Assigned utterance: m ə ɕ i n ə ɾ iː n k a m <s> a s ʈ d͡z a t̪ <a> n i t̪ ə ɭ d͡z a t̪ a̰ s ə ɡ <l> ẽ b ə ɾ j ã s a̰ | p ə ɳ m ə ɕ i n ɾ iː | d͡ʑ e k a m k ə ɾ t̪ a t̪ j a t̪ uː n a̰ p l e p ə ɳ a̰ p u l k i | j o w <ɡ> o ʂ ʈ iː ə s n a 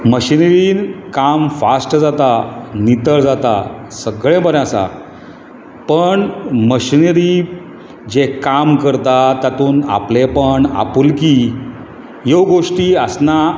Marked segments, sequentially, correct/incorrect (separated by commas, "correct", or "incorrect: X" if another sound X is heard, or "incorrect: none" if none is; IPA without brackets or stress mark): incorrect: f, correct, incorrect: ɭ, correct